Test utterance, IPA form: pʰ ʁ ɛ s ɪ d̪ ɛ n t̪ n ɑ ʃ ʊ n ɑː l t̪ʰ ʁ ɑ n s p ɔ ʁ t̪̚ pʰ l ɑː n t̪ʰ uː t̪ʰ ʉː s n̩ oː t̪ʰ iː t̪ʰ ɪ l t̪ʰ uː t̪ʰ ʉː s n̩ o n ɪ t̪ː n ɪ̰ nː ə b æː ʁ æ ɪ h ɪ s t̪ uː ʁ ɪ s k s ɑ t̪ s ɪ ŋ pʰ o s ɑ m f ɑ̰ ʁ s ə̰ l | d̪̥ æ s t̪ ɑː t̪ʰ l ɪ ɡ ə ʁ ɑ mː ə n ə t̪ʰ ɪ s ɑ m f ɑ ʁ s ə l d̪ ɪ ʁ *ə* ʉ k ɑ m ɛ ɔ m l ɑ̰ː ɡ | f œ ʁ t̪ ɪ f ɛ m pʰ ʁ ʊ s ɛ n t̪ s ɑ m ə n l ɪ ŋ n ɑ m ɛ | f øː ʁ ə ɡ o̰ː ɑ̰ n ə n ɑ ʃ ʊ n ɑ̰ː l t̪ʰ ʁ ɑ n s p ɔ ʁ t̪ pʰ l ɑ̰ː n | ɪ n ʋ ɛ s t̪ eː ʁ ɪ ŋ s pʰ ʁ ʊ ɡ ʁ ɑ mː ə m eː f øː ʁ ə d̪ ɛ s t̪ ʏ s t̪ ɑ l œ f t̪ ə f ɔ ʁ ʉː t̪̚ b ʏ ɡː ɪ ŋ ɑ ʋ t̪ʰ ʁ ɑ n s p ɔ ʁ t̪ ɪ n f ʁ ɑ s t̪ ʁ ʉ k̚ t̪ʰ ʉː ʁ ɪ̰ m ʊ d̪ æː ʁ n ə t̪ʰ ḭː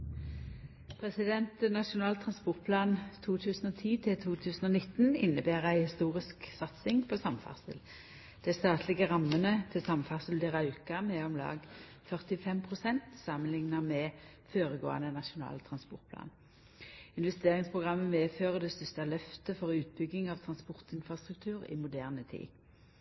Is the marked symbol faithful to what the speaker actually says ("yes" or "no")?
no